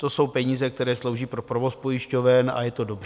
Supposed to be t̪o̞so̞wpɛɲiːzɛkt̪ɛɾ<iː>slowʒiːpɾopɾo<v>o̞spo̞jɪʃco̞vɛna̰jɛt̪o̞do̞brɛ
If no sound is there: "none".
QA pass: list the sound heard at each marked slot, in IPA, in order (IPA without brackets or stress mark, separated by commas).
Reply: ɛː, v